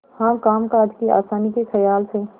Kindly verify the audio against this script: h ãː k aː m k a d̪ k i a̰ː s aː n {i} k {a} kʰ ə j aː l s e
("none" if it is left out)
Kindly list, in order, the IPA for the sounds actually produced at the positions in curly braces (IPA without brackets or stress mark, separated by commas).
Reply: i, e